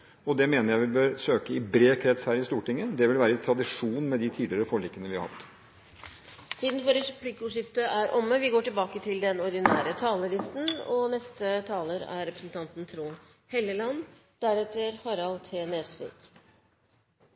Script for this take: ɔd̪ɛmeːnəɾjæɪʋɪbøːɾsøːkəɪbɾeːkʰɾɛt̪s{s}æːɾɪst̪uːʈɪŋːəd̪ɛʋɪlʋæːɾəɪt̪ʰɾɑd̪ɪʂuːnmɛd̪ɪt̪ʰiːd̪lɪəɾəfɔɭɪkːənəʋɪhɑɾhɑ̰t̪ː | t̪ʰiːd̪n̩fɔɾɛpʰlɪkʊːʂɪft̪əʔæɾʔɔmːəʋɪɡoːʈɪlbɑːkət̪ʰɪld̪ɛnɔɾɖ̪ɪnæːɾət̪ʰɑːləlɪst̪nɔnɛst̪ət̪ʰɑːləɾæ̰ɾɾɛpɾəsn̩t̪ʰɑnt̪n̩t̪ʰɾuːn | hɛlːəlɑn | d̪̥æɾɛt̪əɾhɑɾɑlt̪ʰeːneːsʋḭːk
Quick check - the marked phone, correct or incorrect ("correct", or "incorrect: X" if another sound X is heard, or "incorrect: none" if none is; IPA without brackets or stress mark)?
incorrect: h